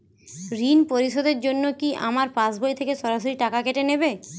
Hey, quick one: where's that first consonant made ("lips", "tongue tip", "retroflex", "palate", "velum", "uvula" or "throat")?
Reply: tongue tip